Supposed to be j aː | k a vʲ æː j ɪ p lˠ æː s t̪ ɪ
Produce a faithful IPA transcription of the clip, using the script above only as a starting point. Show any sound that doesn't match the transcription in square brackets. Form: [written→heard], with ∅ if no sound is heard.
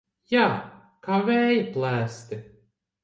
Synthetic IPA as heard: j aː | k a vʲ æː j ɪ p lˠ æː s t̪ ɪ

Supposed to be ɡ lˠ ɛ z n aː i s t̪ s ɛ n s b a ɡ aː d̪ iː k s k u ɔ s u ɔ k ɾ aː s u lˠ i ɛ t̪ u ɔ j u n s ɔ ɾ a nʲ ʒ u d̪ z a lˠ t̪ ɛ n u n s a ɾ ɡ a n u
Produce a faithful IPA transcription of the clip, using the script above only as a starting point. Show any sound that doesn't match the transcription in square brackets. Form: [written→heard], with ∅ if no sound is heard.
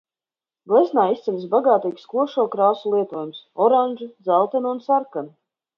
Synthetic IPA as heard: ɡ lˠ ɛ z n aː i s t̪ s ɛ n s b a ɡ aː [d̪→t̪] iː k s k u ɔ [s→ʃ] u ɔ k ɾ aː s u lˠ i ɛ t̪ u ɔ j u [n→m] s ɔ ɾ a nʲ ʒ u d̪ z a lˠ t̪ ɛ n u n s a ɾ [ɡ→k] a n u

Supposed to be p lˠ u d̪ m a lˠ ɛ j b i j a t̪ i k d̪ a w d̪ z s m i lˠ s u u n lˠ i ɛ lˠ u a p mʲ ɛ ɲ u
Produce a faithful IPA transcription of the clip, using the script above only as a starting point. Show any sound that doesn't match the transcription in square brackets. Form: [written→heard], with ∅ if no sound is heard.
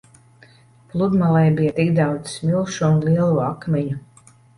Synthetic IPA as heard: p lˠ u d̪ m a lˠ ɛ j b i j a t̪ i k d̪ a w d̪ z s m i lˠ [s→ʃ] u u n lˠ i ɛ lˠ u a [p→k] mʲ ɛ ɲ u

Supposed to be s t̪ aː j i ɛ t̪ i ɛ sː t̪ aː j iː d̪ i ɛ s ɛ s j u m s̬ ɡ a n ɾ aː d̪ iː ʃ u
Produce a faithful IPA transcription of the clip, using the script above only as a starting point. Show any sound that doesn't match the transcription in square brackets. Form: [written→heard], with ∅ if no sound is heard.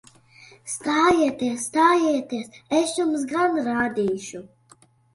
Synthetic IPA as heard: s t̪ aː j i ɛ t̪ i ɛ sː t̪ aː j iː [d̪→t̪] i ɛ s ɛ s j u m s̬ ɡ a n ɾ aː d̪ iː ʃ u

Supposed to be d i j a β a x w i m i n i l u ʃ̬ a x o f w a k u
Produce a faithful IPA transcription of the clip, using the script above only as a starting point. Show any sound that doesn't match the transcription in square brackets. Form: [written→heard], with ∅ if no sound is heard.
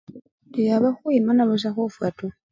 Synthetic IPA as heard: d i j a β a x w i m [i→a] n [i→a] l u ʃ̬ a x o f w a [k→t] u

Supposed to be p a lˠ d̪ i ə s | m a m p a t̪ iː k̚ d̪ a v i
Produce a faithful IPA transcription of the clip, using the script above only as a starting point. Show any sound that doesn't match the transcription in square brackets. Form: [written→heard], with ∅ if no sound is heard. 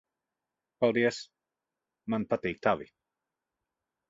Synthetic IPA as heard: p a lˠ d̪ i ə s | m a [m→n] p a t̪ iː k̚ [d̪→t̪] a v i

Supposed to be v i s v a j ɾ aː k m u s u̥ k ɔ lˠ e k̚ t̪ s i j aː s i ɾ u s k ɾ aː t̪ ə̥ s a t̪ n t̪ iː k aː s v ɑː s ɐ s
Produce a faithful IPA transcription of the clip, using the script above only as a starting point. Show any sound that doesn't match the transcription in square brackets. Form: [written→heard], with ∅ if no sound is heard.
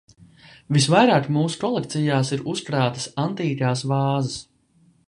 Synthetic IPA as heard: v i s v a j ɾ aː k m [u→uː] s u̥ k ɔ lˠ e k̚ t̪ s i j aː s i ɾ u s k ɾ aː t̪ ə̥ s a [t̪→∅] n t̪ iː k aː s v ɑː [s→z] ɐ s

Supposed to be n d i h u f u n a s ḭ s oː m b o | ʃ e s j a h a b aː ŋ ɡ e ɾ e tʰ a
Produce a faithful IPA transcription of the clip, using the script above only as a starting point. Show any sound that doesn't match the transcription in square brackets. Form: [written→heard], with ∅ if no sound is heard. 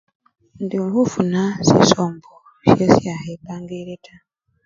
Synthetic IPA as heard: n d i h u f u n a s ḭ s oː m b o | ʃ e s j a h [a→e] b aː ŋ ɡ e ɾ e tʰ a

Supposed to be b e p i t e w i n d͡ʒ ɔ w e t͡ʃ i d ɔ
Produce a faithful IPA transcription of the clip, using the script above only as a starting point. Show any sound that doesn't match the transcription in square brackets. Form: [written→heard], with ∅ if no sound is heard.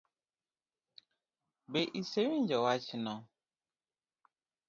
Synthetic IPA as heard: b e [p→ʔ] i [t→s] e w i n d͡ʒ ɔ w [e→a] t͡ʃ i [d→n] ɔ

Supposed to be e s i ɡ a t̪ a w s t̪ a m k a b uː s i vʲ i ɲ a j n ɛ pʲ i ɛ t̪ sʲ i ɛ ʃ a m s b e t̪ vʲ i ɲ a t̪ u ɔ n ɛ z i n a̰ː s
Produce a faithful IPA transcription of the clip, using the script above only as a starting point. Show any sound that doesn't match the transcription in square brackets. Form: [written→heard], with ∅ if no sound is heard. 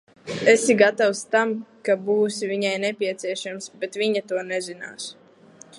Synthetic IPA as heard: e s i ɡ a t̪ a w s t̪ a m k a b uː s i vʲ i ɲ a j n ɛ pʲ i ɛ t̪ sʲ i ɛ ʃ a m s b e t̪ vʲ i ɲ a t̪ u ɔ n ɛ z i n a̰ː s

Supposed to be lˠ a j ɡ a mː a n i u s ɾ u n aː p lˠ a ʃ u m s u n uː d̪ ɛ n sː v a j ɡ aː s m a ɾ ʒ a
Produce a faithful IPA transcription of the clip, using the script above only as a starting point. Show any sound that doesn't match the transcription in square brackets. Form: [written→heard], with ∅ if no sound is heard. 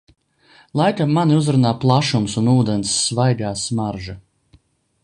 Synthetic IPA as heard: lˠ a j [ɡ→k] a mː a n i u [s→z] ɾ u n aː p lˠ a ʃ u m s u n uː d̪ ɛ n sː v a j ɡ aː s m a ɾ ʒ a

